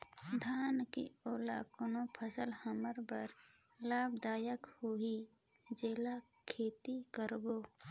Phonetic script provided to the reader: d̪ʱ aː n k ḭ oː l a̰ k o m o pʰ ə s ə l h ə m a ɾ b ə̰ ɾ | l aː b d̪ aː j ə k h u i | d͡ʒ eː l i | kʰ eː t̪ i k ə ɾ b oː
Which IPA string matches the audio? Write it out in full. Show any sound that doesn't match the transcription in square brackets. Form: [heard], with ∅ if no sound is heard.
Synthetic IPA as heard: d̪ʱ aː n k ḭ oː l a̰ k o [n] o pʰ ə s ə l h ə m [ə] ɾ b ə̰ ɾ | l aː b d̪ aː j ə k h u i | d͡ʒ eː l [a] | kʰ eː t̪ i k ə ɾ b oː